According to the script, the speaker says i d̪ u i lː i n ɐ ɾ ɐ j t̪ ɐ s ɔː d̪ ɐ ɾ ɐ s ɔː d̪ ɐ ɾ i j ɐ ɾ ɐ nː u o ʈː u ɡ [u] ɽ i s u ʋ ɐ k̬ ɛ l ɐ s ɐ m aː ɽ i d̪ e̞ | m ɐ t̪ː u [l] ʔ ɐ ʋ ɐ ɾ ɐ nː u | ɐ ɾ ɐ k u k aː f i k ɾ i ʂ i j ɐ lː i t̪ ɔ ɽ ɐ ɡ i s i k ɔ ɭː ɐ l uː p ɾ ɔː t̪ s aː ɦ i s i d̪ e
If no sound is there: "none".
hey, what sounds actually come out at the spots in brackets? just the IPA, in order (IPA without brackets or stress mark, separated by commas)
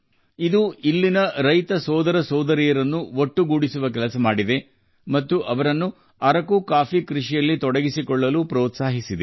uː, none